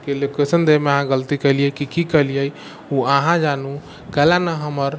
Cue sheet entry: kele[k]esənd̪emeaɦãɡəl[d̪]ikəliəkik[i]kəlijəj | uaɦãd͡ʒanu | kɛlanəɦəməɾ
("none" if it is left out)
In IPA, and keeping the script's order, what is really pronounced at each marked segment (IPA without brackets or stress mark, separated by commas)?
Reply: k, t̪, i